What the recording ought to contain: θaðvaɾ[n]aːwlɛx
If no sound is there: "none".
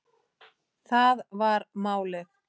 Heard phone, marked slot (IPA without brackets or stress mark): m